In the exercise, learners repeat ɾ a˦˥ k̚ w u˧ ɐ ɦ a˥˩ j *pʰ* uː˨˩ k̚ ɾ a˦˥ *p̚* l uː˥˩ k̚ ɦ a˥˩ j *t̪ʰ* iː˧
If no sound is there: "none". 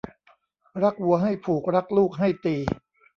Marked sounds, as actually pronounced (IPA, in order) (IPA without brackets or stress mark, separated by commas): pʰ, k̚, t̪